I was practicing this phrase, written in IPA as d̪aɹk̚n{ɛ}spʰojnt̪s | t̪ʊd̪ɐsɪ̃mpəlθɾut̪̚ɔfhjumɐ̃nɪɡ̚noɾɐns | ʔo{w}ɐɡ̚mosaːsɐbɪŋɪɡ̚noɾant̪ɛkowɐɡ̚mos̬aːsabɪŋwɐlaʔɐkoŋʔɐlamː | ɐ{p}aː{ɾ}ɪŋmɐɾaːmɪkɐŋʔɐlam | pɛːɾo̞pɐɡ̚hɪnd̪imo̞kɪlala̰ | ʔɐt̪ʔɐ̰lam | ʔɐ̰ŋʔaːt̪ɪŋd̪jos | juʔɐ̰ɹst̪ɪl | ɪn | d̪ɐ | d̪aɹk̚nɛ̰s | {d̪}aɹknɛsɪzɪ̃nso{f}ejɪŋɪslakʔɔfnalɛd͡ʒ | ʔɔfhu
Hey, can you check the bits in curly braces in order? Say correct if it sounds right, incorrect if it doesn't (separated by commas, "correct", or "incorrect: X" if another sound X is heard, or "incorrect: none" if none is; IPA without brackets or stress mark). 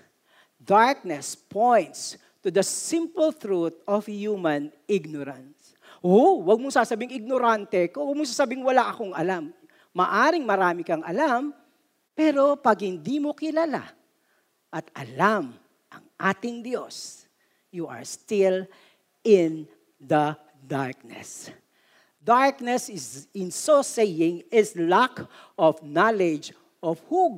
correct, correct, incorrect: ʔ, correct, correct, incorrect: s